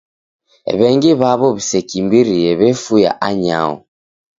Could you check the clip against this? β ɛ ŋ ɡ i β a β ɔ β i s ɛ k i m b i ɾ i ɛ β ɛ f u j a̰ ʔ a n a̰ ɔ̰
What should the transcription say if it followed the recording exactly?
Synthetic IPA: β ɛ ŋ ɡ i β a β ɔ β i s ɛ k i m b i ɾ i ɛ β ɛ f u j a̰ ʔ a ɲ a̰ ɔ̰